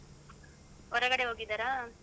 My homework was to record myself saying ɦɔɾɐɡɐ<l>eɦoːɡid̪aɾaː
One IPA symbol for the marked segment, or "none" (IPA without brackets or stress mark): ɽ